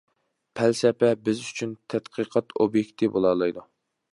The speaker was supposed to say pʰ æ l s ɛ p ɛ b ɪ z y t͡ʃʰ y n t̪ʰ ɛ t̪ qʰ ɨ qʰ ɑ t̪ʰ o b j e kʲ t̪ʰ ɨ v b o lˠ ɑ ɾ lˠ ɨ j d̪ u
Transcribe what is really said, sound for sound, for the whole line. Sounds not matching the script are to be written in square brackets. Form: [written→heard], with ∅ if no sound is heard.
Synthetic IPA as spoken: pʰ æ l s ɛ p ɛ b ɪ z y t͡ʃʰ y n t̪ʰ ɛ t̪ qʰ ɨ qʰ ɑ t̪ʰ o b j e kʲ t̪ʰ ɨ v b o lˠ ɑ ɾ lˠ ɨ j d̪ u

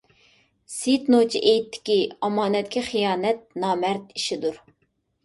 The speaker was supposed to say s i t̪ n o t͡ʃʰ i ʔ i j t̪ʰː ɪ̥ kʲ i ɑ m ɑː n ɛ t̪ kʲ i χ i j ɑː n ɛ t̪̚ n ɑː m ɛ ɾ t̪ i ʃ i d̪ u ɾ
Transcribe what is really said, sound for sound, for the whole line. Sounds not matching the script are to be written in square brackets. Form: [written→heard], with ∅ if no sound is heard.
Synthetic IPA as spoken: s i t̪ n o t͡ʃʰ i ʔ [i→e] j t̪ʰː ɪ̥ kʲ i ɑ m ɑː n ɛ t̪ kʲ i χ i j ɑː n ɛ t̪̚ n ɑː m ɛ ɾ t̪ i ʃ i d̪ u ɾ

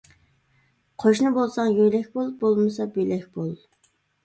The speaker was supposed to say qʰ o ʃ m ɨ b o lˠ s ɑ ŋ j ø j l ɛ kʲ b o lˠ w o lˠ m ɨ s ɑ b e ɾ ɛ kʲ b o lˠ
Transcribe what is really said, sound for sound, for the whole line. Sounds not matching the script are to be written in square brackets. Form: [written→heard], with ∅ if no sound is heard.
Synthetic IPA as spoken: qʰ o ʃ [m→n] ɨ b o lˠ s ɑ ŋ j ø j l ɛ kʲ b o lˠ [w→b] o lˠ m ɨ s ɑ b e [ɾ→l] ɛ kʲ b o lˠ

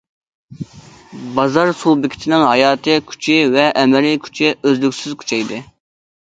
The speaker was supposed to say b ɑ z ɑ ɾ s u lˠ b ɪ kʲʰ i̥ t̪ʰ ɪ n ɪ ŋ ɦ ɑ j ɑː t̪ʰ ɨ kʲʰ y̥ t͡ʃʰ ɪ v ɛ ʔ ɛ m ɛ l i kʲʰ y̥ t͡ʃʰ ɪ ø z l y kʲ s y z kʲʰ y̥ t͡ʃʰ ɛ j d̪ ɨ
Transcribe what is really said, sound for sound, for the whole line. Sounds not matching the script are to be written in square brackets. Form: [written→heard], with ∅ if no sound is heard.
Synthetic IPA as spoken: b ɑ z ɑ ɾ s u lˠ b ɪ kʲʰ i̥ t̪ʰ ɪ n ɪ ŋ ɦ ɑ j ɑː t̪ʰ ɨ kʲʰ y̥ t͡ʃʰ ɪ v ɛ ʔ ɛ m ɛ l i kʲʰ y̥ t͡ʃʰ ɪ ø z l y kʲ s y z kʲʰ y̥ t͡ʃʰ ɛ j d̪ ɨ

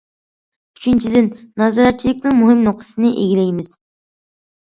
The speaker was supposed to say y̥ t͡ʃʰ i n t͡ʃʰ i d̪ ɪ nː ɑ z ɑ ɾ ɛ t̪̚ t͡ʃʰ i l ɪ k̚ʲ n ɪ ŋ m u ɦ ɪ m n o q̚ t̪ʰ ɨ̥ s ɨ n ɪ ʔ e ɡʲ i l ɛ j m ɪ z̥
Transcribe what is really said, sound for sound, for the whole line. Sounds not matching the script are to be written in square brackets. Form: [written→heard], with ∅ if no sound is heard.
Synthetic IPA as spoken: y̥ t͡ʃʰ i n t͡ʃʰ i d̪ ɪ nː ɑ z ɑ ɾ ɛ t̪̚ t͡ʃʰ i l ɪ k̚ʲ n ɪ ŋ m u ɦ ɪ m n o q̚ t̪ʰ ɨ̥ s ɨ n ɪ ʔ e ɡʲ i l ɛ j m ɪ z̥

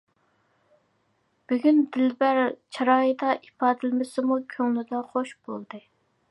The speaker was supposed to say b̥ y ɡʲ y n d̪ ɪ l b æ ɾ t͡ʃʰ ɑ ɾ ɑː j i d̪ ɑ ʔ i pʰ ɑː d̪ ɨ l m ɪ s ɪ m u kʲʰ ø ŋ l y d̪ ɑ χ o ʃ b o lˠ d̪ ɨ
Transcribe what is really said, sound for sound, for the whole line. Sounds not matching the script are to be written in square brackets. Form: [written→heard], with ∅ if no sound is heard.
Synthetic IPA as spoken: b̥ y ɡʲ y n d̪ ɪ l b æ ɾ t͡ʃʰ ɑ ɾ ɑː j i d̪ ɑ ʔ i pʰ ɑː d̪ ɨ l m ɪ s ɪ m u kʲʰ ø ŋ l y d̪ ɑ χ o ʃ b o lˠ d̪ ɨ

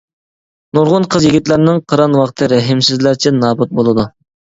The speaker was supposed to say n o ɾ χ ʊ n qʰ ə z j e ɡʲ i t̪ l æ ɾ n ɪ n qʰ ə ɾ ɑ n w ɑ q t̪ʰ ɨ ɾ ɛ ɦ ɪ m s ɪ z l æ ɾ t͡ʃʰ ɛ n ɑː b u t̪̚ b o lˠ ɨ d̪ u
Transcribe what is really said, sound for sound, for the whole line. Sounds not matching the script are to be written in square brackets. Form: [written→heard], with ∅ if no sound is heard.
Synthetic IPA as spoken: n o ɾ [χ→ʁ] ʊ n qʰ ə z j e ɡʲ i t̪ l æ ɾ n ɪ [n→ŋ] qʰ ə ɾ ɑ n w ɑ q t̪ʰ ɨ ɾ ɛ ɦ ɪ m s ɪ z l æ ɾ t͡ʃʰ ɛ n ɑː b u t̪̚ b o lˠ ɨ d̪ u

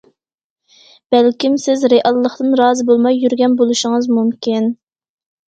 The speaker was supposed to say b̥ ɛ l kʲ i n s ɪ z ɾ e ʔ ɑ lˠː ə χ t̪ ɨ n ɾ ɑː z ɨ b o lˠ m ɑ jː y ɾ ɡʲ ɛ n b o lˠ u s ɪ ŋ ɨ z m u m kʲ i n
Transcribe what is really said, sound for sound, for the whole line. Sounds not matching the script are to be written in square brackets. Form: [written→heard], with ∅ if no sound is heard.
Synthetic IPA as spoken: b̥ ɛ l kʲ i [n→m] s ɪ z ɾ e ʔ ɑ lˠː ə χ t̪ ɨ n ɾ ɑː z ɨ b o lˠ m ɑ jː y ɾ ɡʲ ɛ n b o lˠ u [s→ʃ] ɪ ŋ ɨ z m u m kʲ i n

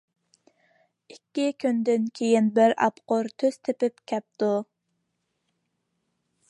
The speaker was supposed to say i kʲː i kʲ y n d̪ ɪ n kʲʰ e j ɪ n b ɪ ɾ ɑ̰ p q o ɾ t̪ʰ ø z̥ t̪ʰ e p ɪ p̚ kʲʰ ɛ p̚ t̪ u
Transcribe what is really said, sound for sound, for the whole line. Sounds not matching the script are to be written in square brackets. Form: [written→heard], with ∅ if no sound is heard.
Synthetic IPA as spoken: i kʲː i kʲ y n d̪ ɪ n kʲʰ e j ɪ n b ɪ ɾ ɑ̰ p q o ɾ t̪ʰ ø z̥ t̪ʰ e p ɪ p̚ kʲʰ ɛ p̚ t̪ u

